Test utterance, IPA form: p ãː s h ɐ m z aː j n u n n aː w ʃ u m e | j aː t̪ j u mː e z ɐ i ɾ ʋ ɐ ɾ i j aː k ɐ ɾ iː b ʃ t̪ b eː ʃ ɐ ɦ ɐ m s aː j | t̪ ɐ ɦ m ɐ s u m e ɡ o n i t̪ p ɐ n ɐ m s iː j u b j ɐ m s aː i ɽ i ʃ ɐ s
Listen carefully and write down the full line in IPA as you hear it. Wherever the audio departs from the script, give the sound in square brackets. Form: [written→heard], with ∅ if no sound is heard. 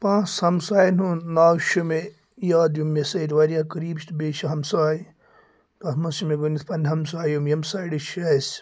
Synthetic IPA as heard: p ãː s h ɐ m [z→s] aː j n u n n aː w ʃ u m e | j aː [t̪→d̪] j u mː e [z→s] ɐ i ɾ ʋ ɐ ɾ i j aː k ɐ ɾ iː b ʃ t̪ b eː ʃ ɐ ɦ ɐ m s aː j | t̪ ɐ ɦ m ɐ s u m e ɡ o n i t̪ p ɐ n ɐ m s [iː→aː] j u [b→m] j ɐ m s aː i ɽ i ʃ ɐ s